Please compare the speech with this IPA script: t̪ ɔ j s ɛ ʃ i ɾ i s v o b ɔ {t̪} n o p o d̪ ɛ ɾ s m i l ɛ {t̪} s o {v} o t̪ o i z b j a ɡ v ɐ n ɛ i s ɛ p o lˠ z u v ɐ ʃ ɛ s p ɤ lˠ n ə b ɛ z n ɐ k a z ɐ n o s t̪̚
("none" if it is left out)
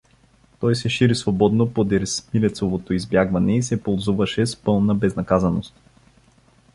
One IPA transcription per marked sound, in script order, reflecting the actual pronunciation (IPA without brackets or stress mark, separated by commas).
d̪, t̪, v